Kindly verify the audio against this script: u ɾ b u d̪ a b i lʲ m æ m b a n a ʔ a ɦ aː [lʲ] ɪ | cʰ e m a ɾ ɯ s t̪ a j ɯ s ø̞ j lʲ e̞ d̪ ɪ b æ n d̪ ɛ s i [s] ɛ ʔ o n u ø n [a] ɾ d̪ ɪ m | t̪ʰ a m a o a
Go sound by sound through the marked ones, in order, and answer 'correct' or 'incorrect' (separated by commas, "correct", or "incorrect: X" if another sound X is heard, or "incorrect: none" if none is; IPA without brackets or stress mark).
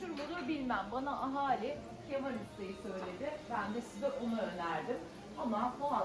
correct, incorrect: z, incorrect: æ